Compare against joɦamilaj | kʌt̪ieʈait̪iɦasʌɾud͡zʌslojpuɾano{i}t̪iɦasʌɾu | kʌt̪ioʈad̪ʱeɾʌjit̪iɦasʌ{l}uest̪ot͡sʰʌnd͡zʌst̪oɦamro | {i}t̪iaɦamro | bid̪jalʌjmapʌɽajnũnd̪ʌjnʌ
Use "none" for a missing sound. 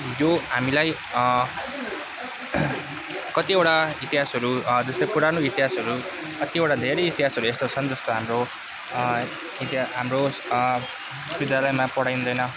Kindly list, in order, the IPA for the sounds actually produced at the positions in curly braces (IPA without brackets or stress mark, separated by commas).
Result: i, ɾ, i